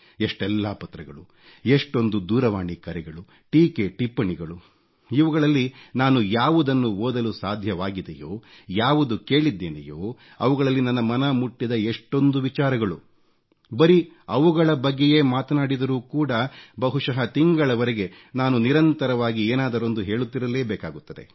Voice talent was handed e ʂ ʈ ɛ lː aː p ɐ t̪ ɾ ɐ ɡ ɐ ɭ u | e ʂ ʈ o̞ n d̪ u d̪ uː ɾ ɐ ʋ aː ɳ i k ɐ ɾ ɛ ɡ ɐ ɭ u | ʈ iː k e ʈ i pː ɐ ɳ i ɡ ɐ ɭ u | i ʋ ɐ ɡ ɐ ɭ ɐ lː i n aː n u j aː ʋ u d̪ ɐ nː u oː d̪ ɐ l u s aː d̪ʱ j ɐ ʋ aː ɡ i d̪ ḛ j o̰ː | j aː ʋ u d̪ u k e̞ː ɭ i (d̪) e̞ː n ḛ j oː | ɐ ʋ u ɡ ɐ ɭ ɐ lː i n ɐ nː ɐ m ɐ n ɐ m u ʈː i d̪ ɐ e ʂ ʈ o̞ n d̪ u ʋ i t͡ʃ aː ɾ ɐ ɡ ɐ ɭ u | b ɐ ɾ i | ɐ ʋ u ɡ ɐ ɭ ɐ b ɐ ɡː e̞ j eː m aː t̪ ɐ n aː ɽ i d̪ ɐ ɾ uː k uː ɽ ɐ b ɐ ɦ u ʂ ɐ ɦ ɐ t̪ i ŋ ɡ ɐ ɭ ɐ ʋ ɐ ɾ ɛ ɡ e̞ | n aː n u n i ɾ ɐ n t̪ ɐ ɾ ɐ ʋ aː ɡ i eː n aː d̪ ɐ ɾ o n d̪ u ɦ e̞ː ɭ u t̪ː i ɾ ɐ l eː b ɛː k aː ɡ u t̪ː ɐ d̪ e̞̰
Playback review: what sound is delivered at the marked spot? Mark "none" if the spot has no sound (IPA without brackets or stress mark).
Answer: d̪ː